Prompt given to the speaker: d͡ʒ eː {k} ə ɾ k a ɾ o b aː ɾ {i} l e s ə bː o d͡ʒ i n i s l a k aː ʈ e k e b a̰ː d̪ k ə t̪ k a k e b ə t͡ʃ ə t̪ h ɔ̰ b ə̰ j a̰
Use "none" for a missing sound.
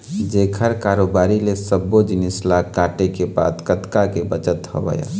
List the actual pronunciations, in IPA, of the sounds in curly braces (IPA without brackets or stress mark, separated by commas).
kʰ, i